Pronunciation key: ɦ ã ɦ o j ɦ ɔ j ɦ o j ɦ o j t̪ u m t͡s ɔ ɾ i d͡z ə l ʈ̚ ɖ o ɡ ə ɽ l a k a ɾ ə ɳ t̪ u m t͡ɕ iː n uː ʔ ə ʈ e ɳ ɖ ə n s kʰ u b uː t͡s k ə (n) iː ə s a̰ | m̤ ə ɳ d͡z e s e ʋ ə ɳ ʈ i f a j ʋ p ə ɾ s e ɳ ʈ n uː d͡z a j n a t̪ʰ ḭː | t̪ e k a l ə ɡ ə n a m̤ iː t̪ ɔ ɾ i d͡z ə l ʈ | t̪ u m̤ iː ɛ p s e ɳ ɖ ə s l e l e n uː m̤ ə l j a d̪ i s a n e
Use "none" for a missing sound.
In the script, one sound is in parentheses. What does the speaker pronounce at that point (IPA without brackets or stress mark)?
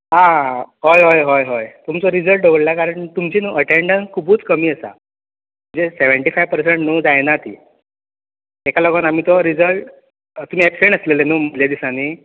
m